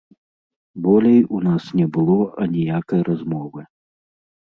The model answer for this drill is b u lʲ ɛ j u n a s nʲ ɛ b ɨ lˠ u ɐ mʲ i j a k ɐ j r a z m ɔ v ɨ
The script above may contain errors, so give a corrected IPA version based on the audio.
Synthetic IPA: b ɔ lʲ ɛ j u n a s nʲ ɛ b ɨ lˠ ɔ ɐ nʲ i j a k ɐ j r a z m ɔ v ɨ